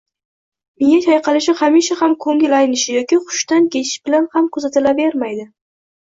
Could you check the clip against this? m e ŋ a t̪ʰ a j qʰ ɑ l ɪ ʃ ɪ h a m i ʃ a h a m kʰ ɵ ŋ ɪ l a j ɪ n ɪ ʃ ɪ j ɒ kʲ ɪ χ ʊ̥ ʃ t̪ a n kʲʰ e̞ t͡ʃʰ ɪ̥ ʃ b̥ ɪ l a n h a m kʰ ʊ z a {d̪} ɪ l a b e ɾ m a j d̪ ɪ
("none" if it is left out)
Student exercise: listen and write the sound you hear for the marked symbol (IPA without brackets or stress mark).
t̪